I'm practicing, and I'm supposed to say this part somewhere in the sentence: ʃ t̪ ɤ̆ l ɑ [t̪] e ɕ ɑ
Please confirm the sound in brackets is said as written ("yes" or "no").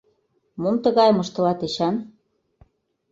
yes